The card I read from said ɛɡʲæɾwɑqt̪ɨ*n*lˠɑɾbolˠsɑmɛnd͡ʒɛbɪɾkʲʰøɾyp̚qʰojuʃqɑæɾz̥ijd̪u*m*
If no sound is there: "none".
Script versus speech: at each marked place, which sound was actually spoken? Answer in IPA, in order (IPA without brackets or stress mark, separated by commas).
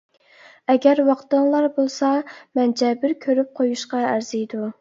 ŋ, none